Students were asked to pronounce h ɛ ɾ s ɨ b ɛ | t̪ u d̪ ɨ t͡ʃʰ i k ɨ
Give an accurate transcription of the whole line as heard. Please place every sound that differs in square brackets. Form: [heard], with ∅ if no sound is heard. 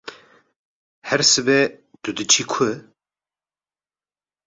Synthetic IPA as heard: h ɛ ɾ s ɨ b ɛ | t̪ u d̪ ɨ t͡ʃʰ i [kʰ] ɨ

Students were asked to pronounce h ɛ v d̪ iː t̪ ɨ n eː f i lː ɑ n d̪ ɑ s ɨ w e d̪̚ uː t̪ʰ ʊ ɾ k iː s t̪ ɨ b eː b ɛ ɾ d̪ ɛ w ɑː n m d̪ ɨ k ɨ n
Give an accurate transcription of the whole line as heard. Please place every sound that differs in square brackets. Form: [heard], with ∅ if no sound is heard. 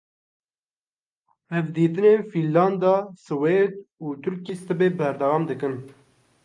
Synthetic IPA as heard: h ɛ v d̪ iː t̪ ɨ n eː f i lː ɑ n d̪ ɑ s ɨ w e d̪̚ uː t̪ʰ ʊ ɾ k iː s t̪ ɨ b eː b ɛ ɾ d̪ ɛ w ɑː [∅] m d̪ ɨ k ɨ n

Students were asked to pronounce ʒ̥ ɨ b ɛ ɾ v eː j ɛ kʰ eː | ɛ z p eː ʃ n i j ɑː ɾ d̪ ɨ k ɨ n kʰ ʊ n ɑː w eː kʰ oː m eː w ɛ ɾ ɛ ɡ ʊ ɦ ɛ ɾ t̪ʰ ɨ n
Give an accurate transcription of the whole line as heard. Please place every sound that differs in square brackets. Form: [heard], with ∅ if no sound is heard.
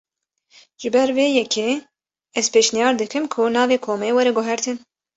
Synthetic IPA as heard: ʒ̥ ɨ b ɛ ɾ v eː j ɛ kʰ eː | ɛ z p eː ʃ n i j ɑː ɾ d̪ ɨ k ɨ [m] kʰ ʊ n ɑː [v] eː kʰ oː m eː w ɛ ɾ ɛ ɡ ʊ ɦ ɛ ɾ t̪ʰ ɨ n

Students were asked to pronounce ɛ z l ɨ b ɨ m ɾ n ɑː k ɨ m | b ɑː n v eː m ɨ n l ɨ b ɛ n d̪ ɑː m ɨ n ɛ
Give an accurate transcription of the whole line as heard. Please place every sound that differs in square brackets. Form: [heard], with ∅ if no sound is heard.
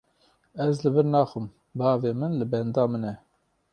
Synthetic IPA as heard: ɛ z l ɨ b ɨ [∅] ɾ n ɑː [x] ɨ m | b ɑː [∅] v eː m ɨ n l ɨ b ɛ n d̪ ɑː m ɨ n ɛ

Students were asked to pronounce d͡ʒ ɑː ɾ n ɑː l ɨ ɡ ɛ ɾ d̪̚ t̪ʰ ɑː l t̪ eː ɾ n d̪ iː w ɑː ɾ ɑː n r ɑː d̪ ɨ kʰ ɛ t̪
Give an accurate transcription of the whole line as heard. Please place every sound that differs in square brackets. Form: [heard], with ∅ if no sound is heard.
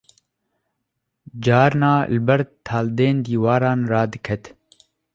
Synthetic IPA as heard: d͡ʒ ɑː ɾ n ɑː l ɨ [b] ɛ ɾ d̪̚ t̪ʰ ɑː l [d̪] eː [∅] n d̪ iː w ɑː ɾ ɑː n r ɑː d̪ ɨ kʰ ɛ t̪

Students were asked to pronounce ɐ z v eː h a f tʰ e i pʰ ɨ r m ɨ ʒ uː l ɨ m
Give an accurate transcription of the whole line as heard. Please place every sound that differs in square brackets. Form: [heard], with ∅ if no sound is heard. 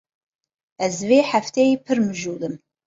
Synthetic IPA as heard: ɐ z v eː [ħ] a f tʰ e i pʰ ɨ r m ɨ ʒ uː l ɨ m

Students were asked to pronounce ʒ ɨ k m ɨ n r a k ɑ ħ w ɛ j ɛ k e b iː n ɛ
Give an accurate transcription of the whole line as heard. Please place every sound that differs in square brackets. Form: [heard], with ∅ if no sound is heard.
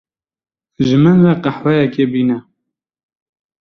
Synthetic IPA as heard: ʒ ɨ [∅] m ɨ n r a [q] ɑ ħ w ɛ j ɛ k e b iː n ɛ

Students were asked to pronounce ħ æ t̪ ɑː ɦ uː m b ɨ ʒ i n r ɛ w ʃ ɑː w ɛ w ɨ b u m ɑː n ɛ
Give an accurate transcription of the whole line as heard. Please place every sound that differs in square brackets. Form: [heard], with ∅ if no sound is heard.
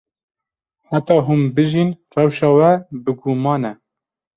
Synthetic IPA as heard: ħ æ t̪ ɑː ɦ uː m b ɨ ʒ i n r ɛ w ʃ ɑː w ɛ [b] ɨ [ɡ] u m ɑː n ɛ

